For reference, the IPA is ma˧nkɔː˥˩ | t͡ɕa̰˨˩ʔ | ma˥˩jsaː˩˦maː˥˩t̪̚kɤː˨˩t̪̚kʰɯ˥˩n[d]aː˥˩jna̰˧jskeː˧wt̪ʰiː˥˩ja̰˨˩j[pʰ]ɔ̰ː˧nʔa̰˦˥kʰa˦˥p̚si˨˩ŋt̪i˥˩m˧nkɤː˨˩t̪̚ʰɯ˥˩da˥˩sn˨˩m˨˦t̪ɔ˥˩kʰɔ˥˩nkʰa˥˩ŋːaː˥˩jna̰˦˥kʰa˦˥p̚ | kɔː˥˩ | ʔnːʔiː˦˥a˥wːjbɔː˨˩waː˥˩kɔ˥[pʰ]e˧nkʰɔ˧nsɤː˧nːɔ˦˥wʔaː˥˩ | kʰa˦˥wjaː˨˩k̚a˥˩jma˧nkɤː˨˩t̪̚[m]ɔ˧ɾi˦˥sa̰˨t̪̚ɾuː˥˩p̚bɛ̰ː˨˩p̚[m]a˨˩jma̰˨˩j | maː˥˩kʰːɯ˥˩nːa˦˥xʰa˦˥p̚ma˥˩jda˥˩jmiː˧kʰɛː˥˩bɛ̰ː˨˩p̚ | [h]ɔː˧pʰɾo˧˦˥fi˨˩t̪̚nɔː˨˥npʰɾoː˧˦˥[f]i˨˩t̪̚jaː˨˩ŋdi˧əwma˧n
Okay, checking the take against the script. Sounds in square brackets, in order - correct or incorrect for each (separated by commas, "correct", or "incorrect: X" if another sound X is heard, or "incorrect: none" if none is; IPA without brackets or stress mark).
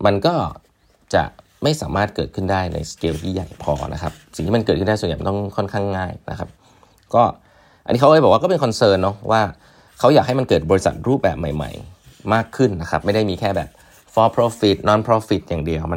correct, correct, incorrect: p, incorrect: b, correct, incorrect: f, correct